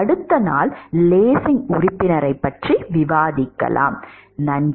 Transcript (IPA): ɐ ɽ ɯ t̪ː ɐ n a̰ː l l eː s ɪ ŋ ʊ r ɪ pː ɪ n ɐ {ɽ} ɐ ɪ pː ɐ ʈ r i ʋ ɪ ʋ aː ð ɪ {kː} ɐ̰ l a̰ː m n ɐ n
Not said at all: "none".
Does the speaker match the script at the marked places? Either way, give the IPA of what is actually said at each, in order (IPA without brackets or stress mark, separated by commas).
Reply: ɾ, kː